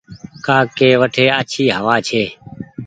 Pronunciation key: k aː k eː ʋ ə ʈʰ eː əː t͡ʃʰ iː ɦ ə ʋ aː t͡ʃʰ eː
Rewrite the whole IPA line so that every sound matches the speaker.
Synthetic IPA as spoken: k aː k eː ʋ ə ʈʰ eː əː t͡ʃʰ iː ɦ ə ʋ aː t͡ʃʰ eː